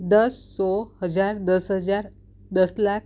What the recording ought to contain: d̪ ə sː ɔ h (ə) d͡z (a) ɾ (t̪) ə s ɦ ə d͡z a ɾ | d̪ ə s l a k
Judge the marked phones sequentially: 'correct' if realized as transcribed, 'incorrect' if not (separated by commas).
correct, correct, incorrect